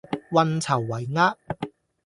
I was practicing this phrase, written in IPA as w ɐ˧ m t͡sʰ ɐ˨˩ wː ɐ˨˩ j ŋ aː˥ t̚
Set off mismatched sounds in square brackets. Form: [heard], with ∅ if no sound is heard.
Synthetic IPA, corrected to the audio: w ɐ˧ [n] t͡sʰ ɐ˨˩ wː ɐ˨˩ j ŋ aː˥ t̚